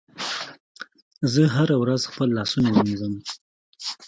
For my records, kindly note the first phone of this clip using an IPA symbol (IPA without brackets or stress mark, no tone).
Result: z